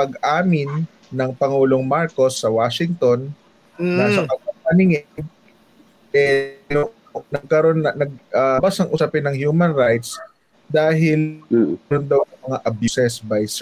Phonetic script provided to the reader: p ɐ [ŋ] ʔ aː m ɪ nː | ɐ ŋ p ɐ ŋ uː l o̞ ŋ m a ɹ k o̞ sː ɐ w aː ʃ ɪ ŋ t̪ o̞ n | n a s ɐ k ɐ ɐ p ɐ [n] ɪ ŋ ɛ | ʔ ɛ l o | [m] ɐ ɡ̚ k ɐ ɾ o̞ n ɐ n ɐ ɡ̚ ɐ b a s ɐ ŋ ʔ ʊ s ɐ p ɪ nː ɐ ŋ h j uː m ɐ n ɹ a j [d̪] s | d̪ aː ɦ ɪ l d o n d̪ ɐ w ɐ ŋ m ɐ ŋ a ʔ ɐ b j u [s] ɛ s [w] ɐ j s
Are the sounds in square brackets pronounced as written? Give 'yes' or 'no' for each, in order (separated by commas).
no, yes, no, no, yes, no